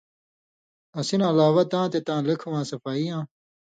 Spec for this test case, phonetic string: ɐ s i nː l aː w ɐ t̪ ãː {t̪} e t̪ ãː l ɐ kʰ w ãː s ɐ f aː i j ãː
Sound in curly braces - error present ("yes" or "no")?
no